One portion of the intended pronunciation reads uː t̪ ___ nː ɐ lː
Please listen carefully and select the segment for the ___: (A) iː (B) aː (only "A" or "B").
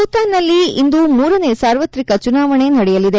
B